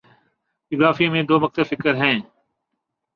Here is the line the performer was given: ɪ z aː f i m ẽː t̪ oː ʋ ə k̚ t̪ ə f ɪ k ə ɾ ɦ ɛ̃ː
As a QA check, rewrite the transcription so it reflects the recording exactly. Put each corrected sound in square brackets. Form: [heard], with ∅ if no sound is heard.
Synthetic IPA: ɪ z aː f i m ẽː [d̪] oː ʋ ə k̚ t̪ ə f ɪ k ə ɾ ɦ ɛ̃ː